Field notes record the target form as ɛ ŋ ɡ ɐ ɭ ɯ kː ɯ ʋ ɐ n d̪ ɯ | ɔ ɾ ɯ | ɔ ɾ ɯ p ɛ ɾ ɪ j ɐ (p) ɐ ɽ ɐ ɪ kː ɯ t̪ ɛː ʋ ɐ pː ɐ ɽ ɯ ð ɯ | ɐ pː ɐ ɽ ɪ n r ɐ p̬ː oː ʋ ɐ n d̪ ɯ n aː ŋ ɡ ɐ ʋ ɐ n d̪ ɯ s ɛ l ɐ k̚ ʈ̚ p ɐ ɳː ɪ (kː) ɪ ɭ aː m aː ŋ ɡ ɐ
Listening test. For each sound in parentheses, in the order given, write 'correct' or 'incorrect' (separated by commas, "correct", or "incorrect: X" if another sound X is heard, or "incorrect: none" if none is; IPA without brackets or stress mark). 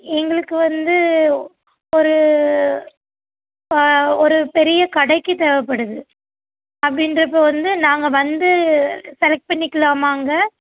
incorrect: k, correct